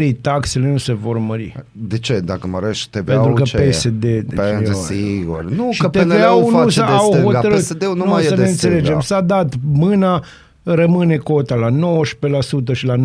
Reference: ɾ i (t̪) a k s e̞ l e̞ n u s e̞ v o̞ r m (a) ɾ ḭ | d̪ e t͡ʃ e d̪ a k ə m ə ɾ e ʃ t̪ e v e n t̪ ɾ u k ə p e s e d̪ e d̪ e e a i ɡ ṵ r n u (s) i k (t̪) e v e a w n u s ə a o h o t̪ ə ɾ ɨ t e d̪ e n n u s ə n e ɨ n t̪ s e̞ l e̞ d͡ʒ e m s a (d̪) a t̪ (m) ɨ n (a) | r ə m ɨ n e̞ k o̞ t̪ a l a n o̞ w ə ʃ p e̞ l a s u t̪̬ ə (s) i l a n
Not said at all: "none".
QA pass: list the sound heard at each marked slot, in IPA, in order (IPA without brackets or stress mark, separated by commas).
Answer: t̪, ə, ʃ, t̪, d̪, m, a, ʃ